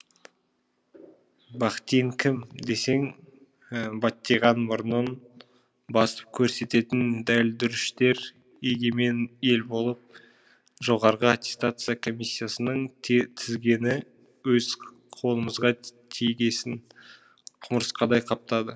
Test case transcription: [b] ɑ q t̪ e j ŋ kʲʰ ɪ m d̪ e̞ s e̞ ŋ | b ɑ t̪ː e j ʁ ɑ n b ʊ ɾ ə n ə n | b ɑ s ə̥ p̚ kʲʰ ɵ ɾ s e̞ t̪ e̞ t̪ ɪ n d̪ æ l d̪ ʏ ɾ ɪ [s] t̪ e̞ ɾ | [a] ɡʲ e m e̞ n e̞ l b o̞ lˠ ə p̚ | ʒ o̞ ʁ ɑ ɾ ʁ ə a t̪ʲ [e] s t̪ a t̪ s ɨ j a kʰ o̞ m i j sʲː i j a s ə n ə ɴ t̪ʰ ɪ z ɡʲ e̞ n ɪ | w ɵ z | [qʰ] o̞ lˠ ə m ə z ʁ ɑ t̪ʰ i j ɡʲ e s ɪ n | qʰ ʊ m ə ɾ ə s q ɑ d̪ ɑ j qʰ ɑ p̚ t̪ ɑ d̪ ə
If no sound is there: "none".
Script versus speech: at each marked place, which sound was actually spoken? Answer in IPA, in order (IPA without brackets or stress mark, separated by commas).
b, ʃ, e, e, qʰ